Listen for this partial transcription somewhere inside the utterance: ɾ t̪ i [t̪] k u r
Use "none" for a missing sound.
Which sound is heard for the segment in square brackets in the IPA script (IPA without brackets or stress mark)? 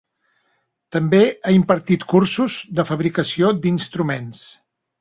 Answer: t̪